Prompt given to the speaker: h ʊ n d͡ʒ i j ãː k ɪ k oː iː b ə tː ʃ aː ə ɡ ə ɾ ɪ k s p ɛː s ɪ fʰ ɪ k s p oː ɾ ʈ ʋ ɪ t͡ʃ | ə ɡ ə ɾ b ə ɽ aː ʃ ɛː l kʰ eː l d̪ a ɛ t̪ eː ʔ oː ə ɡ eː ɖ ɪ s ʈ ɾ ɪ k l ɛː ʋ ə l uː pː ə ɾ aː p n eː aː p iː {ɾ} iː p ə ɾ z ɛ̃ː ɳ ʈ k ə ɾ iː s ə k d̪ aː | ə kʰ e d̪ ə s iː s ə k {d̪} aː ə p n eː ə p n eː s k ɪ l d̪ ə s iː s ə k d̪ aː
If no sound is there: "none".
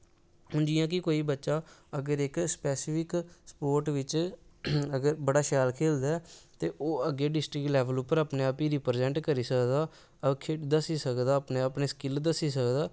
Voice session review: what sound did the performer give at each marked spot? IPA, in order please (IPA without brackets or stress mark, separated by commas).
ɾ, d̪